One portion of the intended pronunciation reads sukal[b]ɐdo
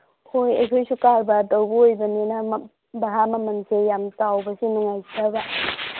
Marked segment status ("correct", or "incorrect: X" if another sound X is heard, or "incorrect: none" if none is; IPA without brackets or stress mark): correct